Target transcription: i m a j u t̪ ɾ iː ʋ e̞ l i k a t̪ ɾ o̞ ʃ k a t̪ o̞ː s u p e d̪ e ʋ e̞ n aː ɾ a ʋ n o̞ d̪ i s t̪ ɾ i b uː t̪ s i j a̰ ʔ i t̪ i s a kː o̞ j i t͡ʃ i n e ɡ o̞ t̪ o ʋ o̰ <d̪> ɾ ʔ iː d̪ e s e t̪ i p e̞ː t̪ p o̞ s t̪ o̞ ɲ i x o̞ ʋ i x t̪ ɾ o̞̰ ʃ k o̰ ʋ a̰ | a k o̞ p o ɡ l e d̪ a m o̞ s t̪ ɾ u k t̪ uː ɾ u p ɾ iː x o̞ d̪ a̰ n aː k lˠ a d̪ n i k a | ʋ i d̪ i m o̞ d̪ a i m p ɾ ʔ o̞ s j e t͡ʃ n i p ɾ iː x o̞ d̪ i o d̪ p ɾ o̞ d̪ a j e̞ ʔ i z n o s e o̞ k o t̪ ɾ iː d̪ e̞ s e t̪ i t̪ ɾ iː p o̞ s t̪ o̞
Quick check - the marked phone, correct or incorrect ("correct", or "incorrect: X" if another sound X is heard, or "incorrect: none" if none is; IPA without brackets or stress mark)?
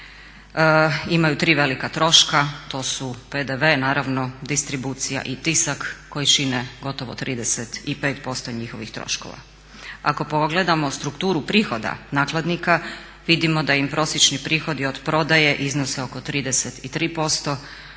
incorrect: t̪